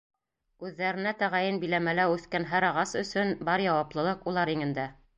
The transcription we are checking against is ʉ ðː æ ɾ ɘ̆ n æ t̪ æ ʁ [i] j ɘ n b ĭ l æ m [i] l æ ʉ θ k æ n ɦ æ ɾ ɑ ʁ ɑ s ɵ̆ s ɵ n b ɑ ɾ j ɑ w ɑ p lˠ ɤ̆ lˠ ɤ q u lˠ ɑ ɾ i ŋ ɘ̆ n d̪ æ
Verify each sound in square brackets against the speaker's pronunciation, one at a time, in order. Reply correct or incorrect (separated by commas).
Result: incorrect, incorrect